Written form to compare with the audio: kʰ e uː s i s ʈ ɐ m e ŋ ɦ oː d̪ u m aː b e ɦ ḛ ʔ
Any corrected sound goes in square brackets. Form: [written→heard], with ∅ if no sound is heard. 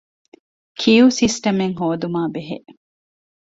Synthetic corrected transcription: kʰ [e→i] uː s i s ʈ ɐ m e ŋ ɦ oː d̪ u m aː b e ɦ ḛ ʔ

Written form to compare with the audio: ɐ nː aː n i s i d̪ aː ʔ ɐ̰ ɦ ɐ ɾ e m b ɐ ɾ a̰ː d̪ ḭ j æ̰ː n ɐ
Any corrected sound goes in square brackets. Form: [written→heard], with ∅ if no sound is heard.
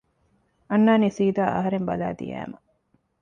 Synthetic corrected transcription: ɐ nː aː n i s [i→iː] d̪ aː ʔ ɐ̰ ɦ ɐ ɾ e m b ɐ [ɾ→l] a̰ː d̪ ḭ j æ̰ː [n→m] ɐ

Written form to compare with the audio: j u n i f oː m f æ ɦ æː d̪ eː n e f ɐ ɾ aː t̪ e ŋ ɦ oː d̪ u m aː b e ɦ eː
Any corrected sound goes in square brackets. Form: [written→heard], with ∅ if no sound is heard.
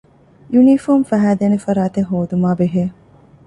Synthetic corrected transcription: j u n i f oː m f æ ɦ æː d̪ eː n e f ɐ ɾ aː t̪ e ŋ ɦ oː d̪ u m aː b e ɦ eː

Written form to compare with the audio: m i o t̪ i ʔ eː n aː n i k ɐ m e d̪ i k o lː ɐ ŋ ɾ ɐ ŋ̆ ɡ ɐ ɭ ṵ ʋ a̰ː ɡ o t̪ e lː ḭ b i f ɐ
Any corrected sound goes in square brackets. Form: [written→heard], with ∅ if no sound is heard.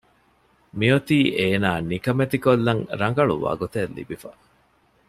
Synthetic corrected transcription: m i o t̪ [i→iː] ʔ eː n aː n i k ɐ m e [d̪→t̪] i k o lː ɐ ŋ ɾ ɐ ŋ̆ ɡ ɐ ɭ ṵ ʋ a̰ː ɡ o t̪ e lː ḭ b i f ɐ

